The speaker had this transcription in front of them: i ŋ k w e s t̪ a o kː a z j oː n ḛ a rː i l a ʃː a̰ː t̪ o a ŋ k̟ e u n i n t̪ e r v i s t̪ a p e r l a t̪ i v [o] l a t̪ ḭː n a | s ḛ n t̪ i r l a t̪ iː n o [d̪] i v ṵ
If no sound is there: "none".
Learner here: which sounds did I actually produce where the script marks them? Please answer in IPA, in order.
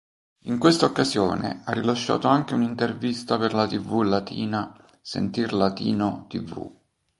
u, t̪

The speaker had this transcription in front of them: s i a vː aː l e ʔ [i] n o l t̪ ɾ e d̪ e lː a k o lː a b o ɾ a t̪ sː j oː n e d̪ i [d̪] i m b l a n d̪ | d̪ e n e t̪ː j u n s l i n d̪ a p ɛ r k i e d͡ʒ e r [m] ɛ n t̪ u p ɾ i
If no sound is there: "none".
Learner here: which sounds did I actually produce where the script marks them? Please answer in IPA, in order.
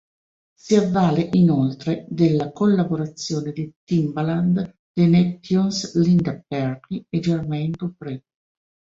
i, t̪, m

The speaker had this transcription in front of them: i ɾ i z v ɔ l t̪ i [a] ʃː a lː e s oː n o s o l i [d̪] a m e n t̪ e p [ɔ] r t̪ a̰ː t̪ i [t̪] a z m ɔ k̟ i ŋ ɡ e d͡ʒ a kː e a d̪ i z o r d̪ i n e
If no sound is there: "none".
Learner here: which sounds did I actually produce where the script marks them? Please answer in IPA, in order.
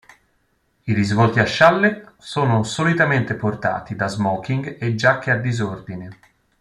a, t̪, o, d̪

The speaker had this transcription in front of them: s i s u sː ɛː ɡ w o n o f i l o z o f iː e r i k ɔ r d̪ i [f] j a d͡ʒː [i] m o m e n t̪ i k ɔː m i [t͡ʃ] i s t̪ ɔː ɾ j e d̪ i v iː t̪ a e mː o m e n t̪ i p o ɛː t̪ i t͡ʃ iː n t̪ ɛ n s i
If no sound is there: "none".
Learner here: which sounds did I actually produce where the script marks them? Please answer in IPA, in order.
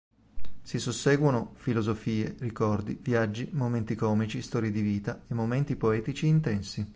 v, i, t͡ʃ

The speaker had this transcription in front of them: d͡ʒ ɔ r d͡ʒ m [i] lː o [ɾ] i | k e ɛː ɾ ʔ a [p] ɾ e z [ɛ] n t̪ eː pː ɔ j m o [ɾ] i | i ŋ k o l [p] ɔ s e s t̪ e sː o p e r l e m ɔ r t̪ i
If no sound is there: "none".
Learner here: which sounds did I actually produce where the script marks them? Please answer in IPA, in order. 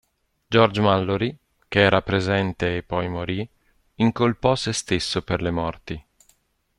a, ɾ, p, ɛ, ɾ, p

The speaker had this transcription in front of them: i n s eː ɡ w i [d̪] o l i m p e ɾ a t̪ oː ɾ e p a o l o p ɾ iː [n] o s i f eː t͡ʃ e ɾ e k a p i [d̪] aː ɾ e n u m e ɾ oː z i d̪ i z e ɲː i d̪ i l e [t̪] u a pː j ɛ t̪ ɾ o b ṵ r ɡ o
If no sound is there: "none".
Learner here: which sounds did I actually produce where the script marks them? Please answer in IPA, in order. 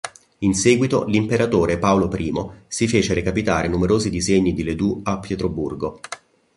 t̪, m, t̪, d̪

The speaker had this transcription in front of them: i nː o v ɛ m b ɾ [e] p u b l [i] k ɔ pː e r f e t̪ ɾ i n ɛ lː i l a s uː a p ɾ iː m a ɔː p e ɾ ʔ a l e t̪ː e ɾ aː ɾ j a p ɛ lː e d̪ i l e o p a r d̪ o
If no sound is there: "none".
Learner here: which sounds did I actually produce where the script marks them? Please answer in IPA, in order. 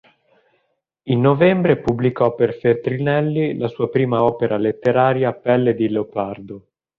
e, i

